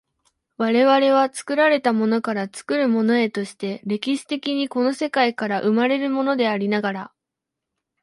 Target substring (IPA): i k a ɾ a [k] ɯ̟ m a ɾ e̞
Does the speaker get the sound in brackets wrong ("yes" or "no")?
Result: yes